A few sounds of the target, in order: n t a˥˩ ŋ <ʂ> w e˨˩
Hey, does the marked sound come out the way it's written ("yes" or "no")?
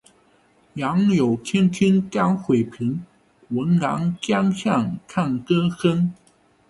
no